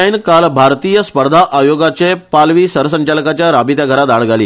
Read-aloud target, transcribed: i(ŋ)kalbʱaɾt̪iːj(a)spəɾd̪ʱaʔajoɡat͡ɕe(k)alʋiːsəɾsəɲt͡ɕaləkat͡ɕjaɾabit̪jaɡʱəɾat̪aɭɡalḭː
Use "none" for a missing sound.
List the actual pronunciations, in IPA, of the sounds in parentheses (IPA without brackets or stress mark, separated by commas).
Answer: n, ə, p